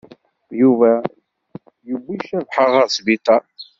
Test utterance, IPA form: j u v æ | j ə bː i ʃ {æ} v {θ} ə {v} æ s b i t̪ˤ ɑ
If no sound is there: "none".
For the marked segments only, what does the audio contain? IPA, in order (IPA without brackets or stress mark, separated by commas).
æ, ħ, ʁ